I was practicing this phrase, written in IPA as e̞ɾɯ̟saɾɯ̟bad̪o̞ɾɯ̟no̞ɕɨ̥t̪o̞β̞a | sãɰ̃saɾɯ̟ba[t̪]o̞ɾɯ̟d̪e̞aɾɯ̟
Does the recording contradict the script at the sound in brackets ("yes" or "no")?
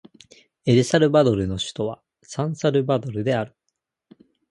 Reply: yes